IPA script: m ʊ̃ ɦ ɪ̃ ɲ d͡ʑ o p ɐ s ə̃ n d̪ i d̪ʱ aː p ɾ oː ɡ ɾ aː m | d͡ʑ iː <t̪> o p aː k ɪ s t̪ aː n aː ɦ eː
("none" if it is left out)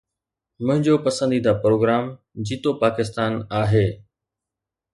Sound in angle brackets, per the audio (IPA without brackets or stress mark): t̪